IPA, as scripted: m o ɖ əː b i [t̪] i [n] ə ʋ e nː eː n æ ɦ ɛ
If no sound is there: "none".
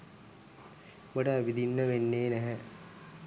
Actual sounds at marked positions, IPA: d̪, nː

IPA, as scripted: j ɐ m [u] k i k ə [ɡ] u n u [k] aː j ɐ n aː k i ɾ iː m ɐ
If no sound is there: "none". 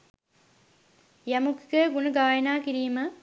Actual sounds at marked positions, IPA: u, ɡ, ɡ

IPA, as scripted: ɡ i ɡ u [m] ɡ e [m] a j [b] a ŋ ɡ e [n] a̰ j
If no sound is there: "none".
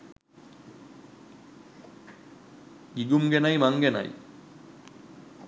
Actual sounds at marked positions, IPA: m, n, m, n

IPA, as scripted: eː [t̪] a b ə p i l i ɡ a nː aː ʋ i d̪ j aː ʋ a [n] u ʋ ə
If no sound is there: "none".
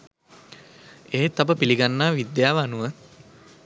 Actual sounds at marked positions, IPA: t̪, n

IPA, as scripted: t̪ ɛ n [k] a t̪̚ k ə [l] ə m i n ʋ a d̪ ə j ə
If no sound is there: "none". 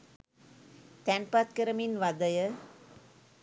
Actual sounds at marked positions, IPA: p, ɾ

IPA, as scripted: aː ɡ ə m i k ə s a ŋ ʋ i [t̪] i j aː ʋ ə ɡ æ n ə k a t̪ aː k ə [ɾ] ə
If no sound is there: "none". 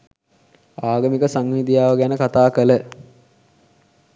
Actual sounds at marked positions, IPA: d̪, l

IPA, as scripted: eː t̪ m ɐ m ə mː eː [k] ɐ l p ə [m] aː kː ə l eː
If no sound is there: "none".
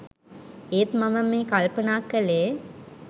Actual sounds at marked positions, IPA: k, n

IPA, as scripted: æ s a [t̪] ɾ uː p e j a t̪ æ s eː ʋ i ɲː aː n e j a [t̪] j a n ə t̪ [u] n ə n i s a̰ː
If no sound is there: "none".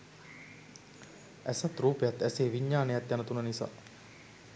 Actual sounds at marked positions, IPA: t̪, t̪, u

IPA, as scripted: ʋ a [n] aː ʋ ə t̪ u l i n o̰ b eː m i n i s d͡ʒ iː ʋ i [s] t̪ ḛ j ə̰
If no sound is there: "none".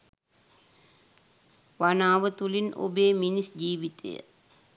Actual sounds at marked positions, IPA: n, none

